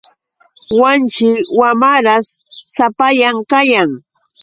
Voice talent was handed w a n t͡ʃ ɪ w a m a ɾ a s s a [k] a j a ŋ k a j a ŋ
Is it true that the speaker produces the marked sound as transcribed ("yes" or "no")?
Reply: no